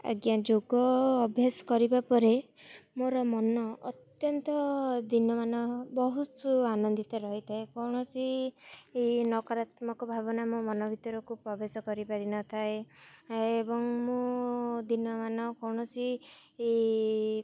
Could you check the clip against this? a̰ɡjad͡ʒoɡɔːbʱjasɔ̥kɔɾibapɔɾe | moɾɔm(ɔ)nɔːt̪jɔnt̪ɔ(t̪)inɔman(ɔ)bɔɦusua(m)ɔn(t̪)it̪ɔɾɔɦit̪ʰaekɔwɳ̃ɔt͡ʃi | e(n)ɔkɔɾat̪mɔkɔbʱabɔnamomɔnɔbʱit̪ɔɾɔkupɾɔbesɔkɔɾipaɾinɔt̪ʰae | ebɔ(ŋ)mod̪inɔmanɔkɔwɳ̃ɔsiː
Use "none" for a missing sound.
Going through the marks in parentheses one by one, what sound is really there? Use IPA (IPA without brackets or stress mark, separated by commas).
ɔ, d̪, ɔ, n, d̪, n, ŋ